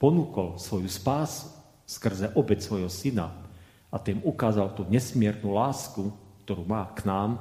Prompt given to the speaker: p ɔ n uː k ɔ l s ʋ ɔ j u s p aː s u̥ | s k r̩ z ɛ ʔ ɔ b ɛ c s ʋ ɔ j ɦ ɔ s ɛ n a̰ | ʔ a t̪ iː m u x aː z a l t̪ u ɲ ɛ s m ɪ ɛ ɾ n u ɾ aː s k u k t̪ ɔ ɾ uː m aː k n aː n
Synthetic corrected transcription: p ɔ n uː k ɔ l s ʋ ɔ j u s p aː s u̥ | s k r̩ z ɛ ʔ ɔ b ɛ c s ʋ ɔ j ɦ ɔ s i n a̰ | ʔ a t̪ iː m u k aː z a l t̪ u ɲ ɛ s m ɪ ɛ ɾ n u l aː s k u k t̪ ɔ ɾ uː m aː k n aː m